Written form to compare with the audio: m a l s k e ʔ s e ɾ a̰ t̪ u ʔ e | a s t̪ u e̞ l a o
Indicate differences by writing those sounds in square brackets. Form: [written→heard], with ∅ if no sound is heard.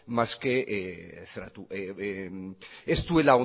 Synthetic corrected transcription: m a [l→∅] s k e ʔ s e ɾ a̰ t̪ u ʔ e | [a→e] s t̪ u e̞ l a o